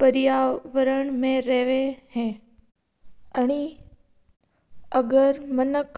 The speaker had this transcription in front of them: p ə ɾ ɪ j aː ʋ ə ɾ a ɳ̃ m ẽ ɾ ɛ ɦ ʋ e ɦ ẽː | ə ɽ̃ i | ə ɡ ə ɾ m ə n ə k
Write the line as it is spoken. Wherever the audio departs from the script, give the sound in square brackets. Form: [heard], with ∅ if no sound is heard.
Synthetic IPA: p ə ɾ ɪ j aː ʋ ə ɾ [ə] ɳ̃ m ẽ ɾ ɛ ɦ ʋ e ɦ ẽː | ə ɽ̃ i | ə ɡ ə ɾ m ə n ə k